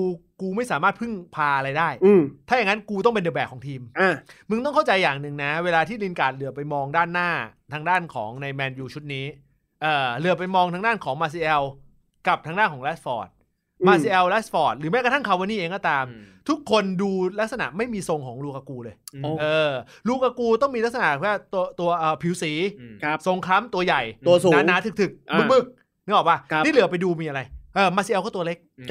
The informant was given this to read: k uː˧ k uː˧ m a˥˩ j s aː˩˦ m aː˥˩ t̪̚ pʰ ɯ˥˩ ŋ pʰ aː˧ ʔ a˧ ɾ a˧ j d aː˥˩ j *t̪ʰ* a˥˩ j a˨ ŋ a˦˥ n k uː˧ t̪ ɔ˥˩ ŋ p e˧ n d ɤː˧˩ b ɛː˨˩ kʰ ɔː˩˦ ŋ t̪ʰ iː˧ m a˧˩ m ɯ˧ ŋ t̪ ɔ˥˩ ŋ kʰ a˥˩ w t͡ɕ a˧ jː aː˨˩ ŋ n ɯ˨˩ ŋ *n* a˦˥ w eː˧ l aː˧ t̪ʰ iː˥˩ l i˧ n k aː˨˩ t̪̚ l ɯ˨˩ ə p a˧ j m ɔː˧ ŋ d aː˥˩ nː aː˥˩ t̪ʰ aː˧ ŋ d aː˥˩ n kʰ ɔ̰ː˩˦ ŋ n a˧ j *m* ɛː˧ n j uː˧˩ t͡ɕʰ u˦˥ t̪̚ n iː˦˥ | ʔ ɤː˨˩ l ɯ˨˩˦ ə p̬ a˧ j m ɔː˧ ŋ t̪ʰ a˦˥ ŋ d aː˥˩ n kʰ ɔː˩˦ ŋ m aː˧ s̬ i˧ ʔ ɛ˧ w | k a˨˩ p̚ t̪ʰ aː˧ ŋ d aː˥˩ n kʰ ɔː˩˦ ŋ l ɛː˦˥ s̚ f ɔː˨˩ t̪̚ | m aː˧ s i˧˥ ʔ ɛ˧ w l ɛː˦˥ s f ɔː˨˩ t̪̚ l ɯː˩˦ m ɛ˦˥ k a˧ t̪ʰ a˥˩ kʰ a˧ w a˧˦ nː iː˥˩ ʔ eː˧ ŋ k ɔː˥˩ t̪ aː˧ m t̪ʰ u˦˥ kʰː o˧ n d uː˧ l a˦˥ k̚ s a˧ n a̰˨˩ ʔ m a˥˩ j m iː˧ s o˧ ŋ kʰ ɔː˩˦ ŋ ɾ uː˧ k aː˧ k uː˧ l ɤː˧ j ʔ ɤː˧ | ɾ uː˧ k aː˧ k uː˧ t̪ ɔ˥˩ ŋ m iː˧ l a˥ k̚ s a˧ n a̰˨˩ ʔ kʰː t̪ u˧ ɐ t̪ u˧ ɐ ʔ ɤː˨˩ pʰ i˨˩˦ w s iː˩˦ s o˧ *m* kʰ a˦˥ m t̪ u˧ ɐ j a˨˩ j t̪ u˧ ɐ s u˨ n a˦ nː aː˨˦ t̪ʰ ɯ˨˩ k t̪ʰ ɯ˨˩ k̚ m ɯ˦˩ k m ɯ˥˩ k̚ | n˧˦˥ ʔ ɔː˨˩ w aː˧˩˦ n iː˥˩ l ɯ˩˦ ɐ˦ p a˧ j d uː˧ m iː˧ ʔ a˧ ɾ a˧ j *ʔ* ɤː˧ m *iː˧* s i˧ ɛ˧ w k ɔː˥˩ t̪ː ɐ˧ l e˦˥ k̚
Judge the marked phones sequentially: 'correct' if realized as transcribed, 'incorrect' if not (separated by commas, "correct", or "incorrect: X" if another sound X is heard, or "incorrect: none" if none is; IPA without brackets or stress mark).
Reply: correct, correct, correct, incorrect: ŋ, correct, incorrect: aː˧